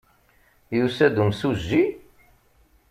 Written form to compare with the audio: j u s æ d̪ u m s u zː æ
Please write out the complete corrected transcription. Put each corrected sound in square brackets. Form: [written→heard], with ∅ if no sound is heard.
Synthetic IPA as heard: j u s æ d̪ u m s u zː [æ→i]